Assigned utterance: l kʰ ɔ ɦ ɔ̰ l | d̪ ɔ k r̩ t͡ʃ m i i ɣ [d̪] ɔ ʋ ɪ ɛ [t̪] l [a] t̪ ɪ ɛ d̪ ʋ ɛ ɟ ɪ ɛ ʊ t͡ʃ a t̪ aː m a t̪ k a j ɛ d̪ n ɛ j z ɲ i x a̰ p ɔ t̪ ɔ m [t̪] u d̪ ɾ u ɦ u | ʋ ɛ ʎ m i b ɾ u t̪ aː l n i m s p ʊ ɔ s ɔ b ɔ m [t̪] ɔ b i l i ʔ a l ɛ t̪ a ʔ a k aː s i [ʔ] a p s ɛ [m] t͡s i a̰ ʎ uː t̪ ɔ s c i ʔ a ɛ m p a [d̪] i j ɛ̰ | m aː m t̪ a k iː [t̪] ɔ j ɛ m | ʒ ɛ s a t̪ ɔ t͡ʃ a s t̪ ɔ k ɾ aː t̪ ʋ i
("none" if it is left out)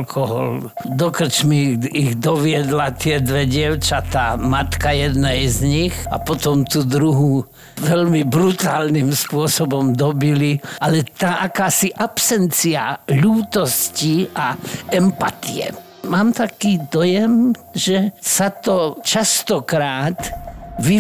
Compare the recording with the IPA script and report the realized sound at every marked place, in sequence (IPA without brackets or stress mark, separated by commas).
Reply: d̪, d̪, a, t̪, d̪, ʔ, n, t̪, d̪